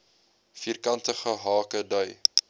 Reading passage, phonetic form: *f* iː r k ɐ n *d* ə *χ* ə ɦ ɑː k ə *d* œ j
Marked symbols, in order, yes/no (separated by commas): yes, no, yes, yes